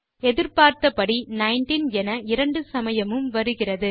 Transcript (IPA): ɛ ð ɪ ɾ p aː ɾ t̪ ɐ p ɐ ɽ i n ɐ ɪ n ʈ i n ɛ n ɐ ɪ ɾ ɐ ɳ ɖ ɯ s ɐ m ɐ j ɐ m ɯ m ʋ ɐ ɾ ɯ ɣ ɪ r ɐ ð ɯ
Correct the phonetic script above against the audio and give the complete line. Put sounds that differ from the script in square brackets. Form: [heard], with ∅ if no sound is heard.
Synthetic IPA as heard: ɛ ð ɪ ɾ p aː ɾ t̪ ɐ p ɐ ɽ i n ɐ ɪ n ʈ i n ɛ n ɐ ɪ ɾ ɐ ɳ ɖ ɯ s ɐ m ɐ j ɐ m ɯ m ʋ ɐ ɾ ɯ ɣ ɪ r ɐ ð ɯ